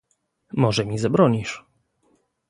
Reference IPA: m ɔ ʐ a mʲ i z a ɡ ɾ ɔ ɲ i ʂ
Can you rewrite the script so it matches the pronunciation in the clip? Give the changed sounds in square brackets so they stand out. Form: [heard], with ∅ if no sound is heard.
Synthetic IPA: m ɔ ʐ [ɛ] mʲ i z a [b] ɾ ɔ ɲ i ʂ